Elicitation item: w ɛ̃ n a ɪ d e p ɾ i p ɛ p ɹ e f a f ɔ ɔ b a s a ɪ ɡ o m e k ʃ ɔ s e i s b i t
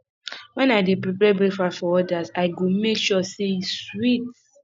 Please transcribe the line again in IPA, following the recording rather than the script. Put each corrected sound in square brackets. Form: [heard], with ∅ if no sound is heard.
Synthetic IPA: w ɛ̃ n a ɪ d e p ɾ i p ɛ [b] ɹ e f a f ɔ ɔ [d] a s a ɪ ɡ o m e k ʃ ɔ s e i s [w] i t